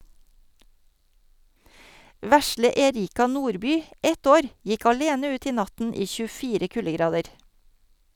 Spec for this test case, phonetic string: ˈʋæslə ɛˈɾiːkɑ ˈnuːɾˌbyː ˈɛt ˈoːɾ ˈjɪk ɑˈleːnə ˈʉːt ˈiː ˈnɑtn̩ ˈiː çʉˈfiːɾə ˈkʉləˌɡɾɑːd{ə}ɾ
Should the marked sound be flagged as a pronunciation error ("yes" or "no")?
no